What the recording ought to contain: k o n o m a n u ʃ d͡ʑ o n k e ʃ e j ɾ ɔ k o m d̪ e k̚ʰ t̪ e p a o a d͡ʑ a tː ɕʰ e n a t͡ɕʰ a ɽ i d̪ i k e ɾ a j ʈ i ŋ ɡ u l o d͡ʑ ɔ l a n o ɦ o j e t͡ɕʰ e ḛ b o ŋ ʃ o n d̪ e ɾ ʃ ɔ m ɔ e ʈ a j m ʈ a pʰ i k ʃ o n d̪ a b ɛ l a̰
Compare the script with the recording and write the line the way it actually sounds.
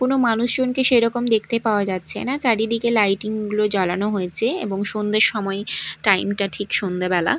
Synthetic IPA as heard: k o n o m a n u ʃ d͡ʑ o n k e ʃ e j ɾ ɔ k o m d̪ e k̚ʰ t̪ e p a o a d͡ʑ a tː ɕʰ e n a t͡ɕ a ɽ i d̪ i k e l a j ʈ i ŋ ɡ u l o d͡ʑ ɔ l a n o ɦ o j e t͡ɕʰ e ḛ b o ŋ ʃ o n d̪ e ɾ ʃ ɔ m ɔ e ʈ a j m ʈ a ʈʰ i k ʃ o n d̪ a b ɛ l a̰